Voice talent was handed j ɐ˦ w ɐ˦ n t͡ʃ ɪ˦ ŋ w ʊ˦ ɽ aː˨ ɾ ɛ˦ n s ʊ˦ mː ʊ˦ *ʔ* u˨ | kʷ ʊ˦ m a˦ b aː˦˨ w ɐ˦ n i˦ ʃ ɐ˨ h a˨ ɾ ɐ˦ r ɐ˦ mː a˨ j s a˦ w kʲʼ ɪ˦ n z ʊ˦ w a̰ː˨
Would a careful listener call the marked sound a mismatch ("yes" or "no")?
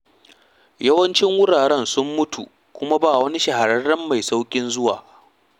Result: yes